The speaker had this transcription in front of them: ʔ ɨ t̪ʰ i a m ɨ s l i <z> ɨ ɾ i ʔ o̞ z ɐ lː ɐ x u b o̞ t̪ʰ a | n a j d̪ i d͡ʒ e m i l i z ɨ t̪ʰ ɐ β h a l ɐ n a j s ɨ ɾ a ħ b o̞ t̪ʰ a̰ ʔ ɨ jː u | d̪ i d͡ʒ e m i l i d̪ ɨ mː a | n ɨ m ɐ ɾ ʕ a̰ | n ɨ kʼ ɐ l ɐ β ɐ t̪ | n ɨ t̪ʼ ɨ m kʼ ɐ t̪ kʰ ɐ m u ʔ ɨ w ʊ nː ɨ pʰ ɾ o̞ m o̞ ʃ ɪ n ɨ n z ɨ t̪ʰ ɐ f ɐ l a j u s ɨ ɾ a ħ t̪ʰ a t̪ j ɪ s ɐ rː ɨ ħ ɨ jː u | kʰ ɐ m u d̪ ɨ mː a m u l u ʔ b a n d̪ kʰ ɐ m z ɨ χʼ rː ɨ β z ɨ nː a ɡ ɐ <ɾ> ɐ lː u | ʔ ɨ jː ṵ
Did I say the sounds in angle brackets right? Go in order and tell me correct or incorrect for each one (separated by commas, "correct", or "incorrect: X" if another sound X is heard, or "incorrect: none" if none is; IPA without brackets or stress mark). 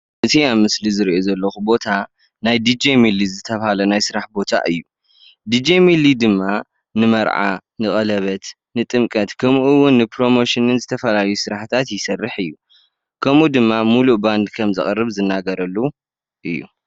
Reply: correct, correct